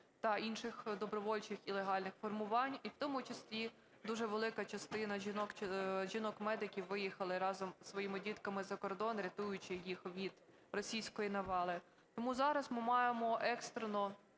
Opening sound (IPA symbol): t̪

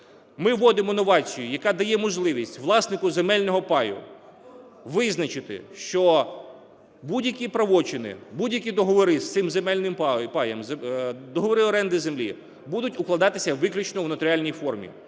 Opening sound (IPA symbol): m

